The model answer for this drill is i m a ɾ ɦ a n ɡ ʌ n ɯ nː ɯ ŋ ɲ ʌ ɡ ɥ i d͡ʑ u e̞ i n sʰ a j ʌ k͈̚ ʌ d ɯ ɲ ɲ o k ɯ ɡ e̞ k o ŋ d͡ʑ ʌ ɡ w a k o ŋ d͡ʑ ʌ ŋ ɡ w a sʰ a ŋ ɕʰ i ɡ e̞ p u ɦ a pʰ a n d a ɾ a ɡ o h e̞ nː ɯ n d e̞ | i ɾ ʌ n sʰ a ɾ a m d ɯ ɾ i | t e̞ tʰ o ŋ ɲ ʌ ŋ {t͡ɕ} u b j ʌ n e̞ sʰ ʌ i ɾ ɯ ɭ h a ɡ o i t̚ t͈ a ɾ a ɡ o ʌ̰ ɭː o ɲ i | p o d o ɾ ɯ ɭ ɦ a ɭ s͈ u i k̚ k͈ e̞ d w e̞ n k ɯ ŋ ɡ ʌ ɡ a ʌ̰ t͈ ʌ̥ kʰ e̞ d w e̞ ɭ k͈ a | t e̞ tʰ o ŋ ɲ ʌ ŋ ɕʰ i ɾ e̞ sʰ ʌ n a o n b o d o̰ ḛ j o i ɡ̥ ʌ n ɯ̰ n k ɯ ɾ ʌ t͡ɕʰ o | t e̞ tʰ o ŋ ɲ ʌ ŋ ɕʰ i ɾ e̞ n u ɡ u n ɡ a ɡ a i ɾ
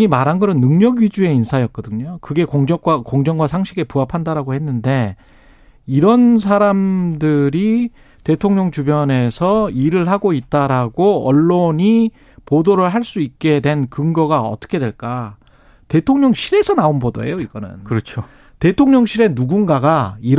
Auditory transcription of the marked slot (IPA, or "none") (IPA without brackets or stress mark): t͡ɕ